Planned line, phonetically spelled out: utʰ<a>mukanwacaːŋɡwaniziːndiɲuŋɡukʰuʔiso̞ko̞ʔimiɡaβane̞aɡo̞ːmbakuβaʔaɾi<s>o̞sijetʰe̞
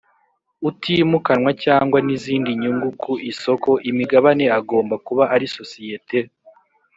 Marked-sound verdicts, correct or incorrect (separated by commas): incorrect, correct